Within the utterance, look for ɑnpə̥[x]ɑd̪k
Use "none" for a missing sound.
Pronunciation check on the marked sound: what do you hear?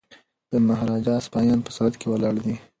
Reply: s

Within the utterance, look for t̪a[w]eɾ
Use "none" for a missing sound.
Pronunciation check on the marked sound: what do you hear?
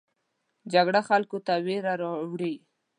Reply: w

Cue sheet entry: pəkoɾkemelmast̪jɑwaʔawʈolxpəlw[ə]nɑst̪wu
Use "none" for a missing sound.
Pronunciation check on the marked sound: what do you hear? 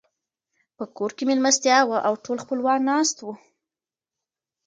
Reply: ɑ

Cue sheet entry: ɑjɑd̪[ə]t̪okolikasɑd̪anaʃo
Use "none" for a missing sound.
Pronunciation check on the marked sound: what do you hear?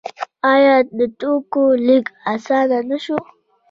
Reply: ə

